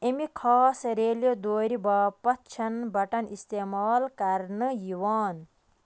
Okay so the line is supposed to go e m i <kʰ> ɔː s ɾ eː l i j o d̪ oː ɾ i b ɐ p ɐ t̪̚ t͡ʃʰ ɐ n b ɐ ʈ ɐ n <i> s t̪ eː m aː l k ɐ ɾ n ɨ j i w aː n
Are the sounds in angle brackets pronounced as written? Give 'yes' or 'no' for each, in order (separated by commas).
yes, yes